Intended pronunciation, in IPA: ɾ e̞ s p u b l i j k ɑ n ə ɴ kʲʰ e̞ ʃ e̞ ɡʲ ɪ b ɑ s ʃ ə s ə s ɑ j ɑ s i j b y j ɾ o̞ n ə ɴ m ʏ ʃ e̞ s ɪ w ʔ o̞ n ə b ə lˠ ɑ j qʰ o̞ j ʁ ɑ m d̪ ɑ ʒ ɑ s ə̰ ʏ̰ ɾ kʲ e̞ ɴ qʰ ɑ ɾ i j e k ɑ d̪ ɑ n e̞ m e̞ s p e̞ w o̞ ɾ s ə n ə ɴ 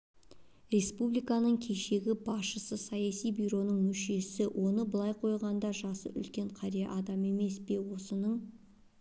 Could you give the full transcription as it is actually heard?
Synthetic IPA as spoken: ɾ e̞ s p u b l i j k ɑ n ə ɴ kʲʰ e̞ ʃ e̞ ɡʲ ɪ b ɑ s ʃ ə s ə s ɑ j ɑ s i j b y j ɾ o̞ n ə ɴ m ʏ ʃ e̞ s ɪ w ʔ o̞ n ə b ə lˠ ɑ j qʰ o̞ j ʁ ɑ n d̪ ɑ ʒ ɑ s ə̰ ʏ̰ l kʲ e̞ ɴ qʰ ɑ ɾ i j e ʔ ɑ d̪ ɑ m e̞ m e̞ s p e̞ w o̞ s ə n ə ɴ

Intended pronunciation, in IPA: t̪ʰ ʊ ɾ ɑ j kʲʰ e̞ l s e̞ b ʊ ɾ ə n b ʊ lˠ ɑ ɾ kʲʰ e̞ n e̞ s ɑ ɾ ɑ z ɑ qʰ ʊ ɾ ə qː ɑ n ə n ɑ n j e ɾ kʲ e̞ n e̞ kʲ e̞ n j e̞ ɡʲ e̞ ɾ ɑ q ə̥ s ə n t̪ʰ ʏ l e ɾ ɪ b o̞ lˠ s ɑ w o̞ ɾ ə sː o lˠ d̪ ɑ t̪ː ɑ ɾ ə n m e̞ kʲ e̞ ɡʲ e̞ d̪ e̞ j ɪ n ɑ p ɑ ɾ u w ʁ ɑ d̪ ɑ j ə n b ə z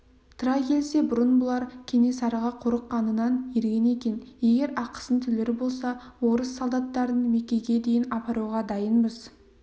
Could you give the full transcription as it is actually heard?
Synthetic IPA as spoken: t̪ʰ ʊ ɾ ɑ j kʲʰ e̞ l s e̞ b ʊ ɾ ə n b ʊ lˠ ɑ ɾ kʲʰ e̞ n e̞ s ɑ ɾ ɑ ʁ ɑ qʰ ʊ ɾ ə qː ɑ n ə n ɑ n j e ɾ ɡʲ e̞ n e̞ kʲ e̞ n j e̞ ɡʲ e̞ ɾ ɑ q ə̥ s ə n t̪ʰ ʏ l e ɾ ɪ b o̞ lˠ s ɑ w o̞ ɾ ə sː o lˠ d̪ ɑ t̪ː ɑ ɾ ə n m e̞ kʲ e̞ ɡʲ e̞ d̪ e̞ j ɪ n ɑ p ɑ ɾ u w ʁ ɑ d̪ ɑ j ə n b ə z

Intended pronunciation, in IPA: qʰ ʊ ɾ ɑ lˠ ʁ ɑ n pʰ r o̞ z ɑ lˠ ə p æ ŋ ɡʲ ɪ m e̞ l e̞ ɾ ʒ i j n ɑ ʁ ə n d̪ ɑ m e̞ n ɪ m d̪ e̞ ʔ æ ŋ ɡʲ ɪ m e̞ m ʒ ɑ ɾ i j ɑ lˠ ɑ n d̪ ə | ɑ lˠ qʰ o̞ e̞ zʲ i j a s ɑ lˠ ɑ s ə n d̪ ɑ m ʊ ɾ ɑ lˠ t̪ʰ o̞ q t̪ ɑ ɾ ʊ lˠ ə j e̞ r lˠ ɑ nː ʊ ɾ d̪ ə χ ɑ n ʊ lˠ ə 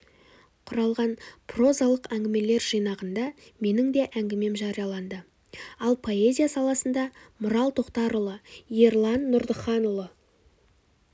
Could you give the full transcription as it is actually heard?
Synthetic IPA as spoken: qʰ ʊ ɾ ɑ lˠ ʁ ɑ n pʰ r o̞ z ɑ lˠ ə q æ ŋ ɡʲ ɪ m e̞ l e̞ ɾ ʒ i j n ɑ ʁ ə n d̪ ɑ m e̞ n ɪ ŋ d̪ e̞ ʔ æ ŋ ɡʲ ɪ m e̞ m ʒ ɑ ɾ i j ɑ lˠ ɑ n d̪ ə | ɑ lˠ pʰ o̞ e̞ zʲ i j a s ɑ lˠ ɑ s ə n d̪ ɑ m ʊ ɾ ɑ lˠ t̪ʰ o̞ q t̪ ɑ ɾ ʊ lˠ ə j e̞ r lˠ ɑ nː ʊ ɾ d̪ ə χ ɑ n ʊ lˠ ə

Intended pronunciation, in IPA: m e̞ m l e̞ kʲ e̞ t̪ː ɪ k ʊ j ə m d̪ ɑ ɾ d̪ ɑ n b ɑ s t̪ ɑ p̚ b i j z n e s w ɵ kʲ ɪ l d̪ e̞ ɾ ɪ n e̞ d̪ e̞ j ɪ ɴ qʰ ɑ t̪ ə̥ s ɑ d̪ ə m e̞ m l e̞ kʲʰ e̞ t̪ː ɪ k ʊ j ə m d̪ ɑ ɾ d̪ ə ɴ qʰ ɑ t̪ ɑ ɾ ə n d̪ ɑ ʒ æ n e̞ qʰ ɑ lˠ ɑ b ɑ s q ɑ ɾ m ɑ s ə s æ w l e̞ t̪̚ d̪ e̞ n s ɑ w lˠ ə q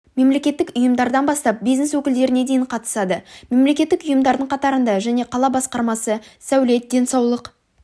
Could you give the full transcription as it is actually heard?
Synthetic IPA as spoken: m e̞ m l e̞ kʲ e̞ t̪ː ɪ k ʊ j ə m d̪ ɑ ɾ d̪ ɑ n b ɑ s t̪ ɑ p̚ b i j z n e s w ɵ kʲ ɪ l d̪ e̞ ɾ ɪ n e̞ d̪ e̞ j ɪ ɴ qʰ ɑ t̪ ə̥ s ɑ d̪ ə m e̞ m l e̞ kʲ e̞ t̪ː ɪ k ʊ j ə m d̪ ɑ ɾ d̪ ə ɴ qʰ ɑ t̪ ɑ ɾ ə n d̪ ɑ ʒ æ n e̞ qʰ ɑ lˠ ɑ b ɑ s q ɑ ɾ m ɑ s ə s æ w l e̞ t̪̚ d̪ e̞ n s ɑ w lˠ ə q

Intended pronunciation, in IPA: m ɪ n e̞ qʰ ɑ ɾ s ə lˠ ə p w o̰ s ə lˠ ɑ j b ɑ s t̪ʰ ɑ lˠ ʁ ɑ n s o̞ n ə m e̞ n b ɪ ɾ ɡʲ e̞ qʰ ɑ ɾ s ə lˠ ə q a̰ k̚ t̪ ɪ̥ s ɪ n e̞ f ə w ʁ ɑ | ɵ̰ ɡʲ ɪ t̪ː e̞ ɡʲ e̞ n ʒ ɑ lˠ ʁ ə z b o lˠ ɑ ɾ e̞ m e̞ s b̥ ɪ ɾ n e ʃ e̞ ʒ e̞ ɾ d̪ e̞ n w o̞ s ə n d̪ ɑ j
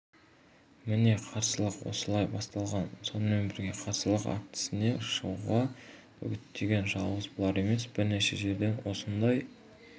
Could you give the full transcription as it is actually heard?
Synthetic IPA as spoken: m ɪ n e̞ qʰ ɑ ɾ s ə lˠ ə q w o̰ s ə lˠ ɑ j b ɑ s t̪ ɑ lˠ ʁ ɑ n s o̞ n ə m e̞ n b ɪ ɾ ɡʲ e̞ qʰ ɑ ɾ s ə lˠ ə q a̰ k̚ t̪ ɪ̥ s ɪ n e̞ ʃ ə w ʁ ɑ | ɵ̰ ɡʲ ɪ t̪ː e̞ ɡʲ e̞ n ʒ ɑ lˠ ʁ ə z b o lˠ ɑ ɾ e̞ m e̞ s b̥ ɪ ɾ n e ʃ e̞ ʒ e̞ ɾ d̪ e̞ n w o̞ s ə n d̪ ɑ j

